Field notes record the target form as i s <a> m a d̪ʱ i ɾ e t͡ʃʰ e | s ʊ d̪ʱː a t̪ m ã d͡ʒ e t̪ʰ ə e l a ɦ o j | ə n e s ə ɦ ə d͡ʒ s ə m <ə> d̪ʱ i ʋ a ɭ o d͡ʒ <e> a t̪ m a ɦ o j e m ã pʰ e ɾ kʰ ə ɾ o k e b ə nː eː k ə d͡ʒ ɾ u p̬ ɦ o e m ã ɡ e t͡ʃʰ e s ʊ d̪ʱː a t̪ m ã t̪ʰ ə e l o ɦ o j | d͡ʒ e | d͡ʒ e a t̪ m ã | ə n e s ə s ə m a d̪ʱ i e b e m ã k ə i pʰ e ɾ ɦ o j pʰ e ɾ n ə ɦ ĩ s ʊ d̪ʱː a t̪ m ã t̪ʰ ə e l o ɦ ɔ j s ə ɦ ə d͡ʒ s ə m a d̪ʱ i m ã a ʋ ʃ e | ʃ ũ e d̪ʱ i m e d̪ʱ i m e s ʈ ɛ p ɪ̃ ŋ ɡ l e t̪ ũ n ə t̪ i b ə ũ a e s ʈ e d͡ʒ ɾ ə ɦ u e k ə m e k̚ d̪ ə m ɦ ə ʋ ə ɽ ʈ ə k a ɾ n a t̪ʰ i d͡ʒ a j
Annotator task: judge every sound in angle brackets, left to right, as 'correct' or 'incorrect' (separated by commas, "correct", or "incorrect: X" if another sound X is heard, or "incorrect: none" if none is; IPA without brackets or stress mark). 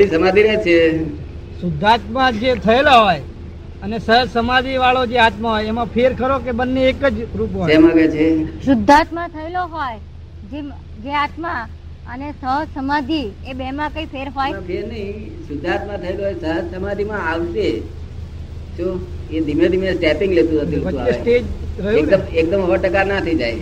incorrect: ə, incorrect: a, correct